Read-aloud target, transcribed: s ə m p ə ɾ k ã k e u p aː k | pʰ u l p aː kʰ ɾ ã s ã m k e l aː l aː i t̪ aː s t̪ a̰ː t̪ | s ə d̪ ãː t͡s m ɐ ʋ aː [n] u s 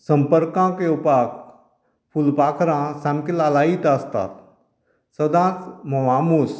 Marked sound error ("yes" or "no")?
yes